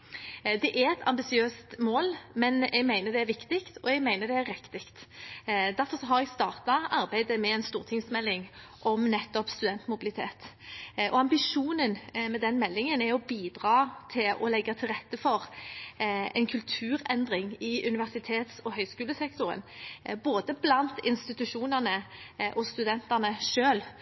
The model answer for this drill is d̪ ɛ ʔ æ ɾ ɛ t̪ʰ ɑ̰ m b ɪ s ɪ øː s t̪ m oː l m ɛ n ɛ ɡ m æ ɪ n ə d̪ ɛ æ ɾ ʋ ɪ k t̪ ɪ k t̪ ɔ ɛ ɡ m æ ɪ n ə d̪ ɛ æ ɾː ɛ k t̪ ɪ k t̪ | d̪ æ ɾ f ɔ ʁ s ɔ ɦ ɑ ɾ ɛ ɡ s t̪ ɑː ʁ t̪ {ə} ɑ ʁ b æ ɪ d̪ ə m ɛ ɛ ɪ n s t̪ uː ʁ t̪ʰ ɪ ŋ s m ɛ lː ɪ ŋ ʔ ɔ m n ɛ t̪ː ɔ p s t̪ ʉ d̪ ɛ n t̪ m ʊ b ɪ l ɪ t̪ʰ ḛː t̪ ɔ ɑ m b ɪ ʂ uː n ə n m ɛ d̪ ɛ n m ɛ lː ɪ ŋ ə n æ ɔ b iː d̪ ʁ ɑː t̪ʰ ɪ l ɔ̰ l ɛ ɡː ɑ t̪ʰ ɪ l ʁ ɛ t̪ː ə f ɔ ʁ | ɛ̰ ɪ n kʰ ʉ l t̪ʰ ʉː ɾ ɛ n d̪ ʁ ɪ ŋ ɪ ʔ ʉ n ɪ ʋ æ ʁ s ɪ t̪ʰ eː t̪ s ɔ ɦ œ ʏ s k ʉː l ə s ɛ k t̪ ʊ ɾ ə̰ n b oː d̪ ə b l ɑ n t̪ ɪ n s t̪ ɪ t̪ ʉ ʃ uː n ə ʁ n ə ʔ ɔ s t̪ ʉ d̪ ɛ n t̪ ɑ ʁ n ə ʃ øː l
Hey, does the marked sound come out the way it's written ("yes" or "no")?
no